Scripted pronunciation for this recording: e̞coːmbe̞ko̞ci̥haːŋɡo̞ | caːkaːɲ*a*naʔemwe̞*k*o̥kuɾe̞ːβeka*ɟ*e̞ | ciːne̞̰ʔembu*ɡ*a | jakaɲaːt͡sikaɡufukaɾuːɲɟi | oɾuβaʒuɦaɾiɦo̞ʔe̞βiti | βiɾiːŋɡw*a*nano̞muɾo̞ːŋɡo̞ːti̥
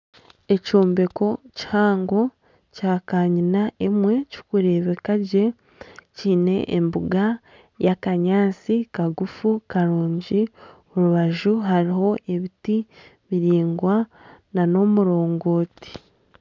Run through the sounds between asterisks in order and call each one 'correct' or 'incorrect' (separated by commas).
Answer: incorrect, incorrect, correct, correct, correct